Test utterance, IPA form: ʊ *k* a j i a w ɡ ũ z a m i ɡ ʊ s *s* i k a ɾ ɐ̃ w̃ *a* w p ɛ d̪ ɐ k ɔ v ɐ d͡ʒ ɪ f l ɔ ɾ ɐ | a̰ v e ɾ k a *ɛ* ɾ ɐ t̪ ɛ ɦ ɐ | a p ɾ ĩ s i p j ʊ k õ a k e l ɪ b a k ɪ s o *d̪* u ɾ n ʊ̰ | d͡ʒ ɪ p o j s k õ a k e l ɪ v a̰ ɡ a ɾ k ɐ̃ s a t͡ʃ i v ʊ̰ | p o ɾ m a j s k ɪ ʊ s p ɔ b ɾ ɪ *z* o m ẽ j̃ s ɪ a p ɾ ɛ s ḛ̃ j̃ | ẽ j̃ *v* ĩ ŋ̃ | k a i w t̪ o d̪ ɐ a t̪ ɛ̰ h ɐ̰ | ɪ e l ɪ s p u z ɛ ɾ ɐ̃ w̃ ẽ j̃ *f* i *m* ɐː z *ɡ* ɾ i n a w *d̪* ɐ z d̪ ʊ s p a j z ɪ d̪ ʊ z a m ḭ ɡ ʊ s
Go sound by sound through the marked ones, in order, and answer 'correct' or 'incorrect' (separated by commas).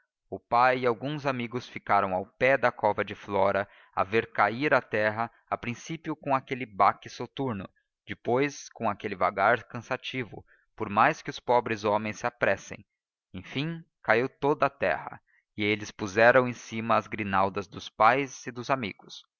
incorrect, incorrect, correct, incorrect, incorrect, correct, incorrect, incorrect, correct, correct, correct